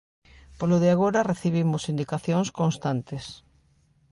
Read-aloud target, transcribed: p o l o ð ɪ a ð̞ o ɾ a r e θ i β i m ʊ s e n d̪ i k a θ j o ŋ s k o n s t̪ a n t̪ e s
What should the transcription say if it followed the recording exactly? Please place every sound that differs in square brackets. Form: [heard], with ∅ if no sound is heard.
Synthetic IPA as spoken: p o l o ð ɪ a [ɣ̞] o ɾ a r e θ i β i m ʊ s [i] n d̪ i k a θ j o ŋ s k o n s t̪ a n t̪ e s